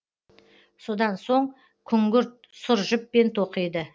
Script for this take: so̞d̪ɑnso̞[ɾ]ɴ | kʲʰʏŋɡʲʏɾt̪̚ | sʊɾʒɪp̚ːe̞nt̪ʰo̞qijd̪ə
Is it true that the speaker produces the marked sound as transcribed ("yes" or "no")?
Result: no